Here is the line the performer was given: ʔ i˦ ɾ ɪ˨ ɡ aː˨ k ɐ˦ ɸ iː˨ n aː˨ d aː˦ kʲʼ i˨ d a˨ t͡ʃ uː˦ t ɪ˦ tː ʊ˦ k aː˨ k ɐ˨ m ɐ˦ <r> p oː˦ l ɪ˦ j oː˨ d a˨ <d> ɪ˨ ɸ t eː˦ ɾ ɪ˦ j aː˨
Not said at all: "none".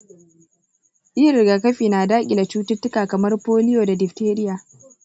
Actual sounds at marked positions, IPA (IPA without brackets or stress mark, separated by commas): r, d